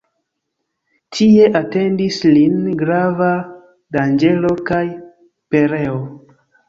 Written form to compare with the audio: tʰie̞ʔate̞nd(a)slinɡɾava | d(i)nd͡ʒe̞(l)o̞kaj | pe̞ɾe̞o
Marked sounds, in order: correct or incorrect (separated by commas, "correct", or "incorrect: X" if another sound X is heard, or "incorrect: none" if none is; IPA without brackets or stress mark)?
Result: incorrect: i, incorrect: a, correct